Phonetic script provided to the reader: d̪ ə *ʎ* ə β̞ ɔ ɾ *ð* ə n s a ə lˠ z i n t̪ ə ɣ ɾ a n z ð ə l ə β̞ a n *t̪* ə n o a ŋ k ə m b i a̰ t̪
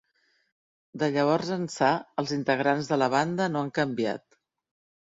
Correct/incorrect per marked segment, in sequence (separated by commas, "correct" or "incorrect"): correct, incorrect, incorrect